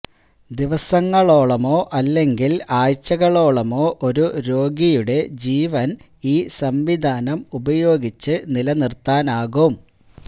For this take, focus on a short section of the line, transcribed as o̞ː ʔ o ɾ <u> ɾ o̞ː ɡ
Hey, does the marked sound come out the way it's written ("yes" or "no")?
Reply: yes